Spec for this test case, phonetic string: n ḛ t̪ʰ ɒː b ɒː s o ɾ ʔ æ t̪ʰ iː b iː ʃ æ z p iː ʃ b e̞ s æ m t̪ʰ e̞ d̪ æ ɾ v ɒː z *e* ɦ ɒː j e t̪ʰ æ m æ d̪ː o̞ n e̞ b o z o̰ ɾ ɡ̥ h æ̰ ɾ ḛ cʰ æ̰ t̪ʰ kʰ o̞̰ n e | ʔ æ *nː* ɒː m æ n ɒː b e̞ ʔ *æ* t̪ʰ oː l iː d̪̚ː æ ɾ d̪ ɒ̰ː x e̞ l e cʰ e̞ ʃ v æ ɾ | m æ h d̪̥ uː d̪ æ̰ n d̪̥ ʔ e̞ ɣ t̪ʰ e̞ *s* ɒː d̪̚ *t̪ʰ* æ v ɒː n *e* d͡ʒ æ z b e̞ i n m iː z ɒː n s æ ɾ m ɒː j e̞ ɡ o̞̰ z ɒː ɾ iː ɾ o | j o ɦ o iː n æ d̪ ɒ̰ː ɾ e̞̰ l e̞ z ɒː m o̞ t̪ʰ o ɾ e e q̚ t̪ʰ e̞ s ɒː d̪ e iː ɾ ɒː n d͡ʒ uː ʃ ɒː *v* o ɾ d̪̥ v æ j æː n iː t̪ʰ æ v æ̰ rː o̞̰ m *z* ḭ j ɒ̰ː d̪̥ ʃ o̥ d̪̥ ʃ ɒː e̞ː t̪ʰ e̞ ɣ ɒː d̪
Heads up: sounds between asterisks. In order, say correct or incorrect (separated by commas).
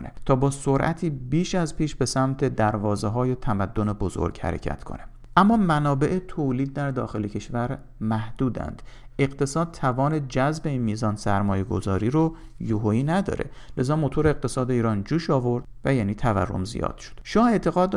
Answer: correct, incorrect, incorrect, correct, correct, correct, correct, correct